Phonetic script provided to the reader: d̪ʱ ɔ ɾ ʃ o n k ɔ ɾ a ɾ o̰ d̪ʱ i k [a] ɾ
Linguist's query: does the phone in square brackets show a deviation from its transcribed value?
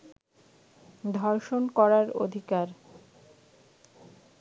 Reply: no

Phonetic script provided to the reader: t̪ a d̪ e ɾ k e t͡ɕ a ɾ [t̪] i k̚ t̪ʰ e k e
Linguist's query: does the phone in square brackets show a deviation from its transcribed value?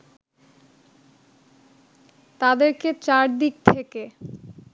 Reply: yes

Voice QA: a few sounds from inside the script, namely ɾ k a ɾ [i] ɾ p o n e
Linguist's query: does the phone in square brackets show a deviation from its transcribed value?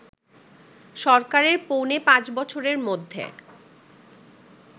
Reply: yes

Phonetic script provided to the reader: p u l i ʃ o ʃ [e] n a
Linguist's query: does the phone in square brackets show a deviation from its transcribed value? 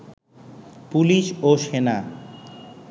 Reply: no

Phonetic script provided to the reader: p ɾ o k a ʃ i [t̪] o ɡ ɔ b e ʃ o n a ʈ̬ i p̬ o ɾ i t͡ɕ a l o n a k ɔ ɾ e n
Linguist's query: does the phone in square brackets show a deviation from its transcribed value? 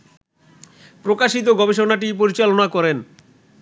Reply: no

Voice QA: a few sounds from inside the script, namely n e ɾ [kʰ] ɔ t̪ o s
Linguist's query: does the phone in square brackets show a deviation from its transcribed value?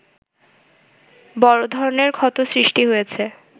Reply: no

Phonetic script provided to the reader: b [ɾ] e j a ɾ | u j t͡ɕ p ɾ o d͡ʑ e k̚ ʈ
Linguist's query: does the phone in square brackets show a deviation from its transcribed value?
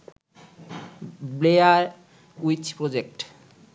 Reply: yes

